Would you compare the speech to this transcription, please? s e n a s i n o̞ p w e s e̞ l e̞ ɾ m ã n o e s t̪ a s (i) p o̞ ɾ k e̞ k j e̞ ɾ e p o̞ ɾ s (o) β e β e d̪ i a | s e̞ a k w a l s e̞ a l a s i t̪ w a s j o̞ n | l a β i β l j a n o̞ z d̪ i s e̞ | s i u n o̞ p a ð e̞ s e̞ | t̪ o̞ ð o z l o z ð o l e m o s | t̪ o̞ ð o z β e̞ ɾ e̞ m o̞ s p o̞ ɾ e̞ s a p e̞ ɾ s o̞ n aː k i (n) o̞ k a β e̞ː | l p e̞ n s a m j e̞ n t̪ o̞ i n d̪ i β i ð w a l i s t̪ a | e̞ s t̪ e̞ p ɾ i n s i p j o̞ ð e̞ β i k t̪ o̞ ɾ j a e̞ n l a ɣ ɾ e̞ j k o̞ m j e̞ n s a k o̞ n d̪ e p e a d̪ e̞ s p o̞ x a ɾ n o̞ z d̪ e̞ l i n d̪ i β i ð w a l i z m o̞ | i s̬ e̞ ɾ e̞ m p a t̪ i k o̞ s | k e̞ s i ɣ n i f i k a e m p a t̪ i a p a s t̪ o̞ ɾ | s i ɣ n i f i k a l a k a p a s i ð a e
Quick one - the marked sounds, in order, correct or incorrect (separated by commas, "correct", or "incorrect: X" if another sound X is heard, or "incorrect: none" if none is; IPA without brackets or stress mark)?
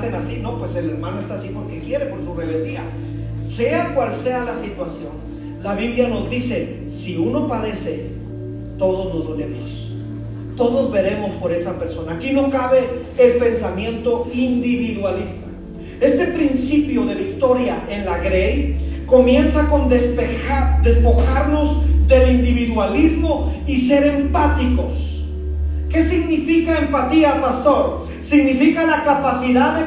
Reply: correct, incorrect: u, correct